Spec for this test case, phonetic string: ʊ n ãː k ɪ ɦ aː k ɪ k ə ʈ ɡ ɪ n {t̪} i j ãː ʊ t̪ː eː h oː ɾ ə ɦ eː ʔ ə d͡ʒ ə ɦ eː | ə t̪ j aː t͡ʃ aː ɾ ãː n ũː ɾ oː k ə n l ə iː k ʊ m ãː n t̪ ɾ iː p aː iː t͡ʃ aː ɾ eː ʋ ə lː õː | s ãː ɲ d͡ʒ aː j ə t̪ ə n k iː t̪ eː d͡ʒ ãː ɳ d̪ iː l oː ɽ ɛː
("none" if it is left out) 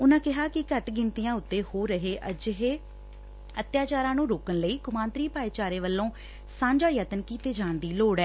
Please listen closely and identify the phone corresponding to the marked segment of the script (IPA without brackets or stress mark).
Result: t̪